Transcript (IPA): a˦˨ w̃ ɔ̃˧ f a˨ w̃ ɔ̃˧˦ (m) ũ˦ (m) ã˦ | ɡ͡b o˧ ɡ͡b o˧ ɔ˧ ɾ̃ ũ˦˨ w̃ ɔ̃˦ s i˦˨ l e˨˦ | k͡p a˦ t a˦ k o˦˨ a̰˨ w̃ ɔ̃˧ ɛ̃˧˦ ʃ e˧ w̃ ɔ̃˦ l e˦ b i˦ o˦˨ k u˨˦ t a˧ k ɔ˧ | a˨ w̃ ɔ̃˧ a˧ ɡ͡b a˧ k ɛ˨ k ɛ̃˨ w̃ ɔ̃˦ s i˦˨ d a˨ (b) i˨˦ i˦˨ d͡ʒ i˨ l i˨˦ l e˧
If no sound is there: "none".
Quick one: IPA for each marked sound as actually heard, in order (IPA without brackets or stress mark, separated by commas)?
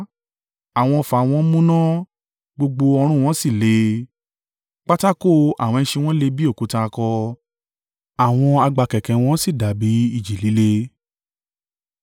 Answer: m, n, b